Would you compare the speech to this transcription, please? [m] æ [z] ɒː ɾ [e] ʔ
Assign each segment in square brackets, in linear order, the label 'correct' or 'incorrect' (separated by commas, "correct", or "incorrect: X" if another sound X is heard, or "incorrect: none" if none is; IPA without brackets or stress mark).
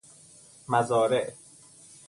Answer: correct, correct, correct